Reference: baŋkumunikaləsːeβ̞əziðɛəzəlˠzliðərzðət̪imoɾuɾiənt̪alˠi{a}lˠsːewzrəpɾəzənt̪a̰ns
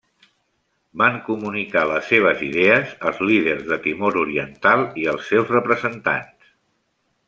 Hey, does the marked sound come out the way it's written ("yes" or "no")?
no